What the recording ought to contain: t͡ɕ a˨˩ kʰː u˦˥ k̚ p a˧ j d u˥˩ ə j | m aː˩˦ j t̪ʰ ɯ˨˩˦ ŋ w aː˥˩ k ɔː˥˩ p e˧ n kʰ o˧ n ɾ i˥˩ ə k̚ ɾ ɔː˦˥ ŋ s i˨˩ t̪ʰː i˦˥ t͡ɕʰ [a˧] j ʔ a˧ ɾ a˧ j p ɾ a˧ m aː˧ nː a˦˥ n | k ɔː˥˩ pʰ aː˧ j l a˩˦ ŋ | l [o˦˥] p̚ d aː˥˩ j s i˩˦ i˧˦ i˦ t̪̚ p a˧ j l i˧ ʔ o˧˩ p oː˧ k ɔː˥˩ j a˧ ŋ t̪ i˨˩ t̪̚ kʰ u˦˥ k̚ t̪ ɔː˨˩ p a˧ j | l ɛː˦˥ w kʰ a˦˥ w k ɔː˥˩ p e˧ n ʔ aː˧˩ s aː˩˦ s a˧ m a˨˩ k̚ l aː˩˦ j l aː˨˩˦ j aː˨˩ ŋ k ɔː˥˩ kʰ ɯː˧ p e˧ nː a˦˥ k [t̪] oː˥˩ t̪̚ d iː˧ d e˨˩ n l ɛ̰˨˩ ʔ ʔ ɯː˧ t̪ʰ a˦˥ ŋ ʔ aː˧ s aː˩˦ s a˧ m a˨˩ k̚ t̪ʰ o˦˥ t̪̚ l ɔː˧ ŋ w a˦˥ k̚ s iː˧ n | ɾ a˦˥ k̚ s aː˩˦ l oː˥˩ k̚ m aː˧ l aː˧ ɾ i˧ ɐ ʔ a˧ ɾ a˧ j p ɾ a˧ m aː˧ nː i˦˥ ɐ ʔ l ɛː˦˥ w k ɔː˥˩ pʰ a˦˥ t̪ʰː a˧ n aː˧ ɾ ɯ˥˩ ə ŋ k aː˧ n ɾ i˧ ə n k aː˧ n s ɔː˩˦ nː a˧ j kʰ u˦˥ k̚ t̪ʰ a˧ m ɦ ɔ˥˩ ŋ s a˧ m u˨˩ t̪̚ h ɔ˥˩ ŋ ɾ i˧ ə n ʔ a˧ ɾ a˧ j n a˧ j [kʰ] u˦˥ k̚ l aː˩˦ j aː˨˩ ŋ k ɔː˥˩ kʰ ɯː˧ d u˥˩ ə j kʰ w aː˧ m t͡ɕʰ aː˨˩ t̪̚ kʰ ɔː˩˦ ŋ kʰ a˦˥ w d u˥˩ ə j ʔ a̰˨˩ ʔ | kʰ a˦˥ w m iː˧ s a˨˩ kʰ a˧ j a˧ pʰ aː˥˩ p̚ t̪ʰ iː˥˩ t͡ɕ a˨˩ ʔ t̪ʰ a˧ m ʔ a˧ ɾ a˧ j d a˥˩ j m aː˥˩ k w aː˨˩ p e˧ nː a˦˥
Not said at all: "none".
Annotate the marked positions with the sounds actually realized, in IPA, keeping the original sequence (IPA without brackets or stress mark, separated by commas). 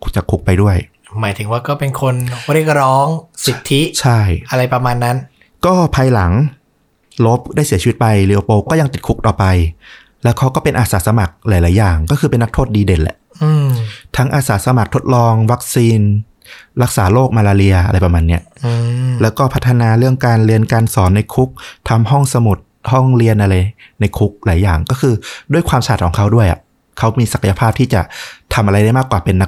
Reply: a˥˩, o˦˥, t̪ʰ, kʰ